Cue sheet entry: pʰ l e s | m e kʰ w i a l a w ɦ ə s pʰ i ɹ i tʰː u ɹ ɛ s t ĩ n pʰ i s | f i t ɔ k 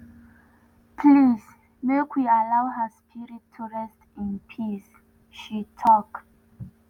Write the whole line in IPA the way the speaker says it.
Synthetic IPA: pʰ l i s | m e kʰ w i a l a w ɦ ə s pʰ i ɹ i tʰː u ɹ ɛ s t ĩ n pʰ i s | ʃ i tʰ ɔ k